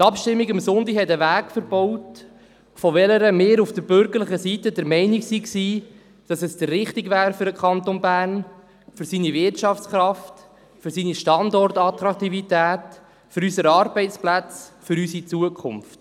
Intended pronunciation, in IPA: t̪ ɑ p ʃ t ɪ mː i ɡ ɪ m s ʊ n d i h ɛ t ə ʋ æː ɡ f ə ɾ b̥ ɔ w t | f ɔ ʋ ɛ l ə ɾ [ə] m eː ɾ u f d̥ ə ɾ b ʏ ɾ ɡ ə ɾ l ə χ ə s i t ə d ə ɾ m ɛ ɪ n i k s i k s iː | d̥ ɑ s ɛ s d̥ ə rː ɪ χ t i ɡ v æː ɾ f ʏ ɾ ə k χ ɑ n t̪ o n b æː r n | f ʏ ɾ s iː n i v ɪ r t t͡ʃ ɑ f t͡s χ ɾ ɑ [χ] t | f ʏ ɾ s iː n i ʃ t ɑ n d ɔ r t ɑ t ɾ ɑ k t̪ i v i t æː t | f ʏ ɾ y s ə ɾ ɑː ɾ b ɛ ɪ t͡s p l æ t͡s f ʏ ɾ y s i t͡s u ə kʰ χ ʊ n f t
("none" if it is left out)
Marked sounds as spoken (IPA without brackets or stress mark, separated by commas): ə, f